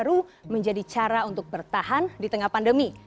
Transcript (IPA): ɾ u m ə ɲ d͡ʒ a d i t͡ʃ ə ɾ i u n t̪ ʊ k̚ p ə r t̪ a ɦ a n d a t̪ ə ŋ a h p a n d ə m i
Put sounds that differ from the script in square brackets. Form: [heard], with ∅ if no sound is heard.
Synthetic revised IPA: ɾ u m ə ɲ d͡ʒ a d i t͡ʃ [a] ɾ [a] u n t̪ ʊ k̚ [b] ə r t̪ a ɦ a n d [i] t̪ ə ŋ a h p a n d ə m i